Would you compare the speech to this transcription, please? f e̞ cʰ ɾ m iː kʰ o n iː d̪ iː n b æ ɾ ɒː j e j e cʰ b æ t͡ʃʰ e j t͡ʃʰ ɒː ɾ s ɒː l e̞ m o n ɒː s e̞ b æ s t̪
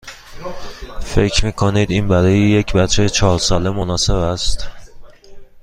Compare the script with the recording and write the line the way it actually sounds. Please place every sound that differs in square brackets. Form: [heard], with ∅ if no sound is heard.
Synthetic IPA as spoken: f e̞ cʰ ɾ m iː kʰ o n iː d̪ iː n b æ ɾ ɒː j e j e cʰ b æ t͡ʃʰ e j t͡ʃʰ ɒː ɾ s ɒː l e̞ m o n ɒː s e̞ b æ s t̪

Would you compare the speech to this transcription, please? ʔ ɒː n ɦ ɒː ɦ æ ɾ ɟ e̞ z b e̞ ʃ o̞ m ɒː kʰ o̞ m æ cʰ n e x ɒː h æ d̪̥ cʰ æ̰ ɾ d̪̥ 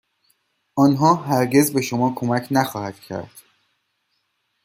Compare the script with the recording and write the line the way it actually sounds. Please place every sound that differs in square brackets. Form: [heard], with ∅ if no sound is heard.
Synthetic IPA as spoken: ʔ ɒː n ɦ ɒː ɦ æ ɾ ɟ e̞ z b e̞ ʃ o̞ m ɒː kʰ o̞ m æ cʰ n [æ] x ɒː h æ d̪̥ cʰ æ̰ ɾ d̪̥

